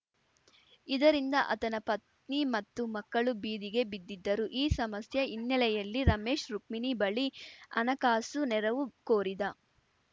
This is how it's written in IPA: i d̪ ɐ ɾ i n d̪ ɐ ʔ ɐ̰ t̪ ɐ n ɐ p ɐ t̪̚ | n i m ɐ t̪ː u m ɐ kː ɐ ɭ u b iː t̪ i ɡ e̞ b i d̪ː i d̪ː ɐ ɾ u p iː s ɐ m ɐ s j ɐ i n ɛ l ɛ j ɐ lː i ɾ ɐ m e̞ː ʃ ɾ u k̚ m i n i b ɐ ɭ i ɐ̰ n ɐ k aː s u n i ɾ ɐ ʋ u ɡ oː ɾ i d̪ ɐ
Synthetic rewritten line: i d̪ ɐ ɾ i n d̪ ɐ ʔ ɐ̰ t̪ ɐ n ɐ p ɐ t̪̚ | n i m ɐ t̪ː u m ɐ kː ɐ ɭ u b iː d̪ i ɡ e̞ b i d̪ː i d̪ː ɐ ɾ u ʔ iː s ɐ m ɐ s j ɐ i nː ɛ l ɛ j ɐ lː i ɾ ɐ m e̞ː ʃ ɾ u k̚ m i n i b ɐ ɭ i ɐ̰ n ɐ k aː s u n ɛ ɾ ɐ ʋ u k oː ɾ i d̪ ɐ